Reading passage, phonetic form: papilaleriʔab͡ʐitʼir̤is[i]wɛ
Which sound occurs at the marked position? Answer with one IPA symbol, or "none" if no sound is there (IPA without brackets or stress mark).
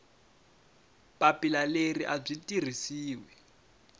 iː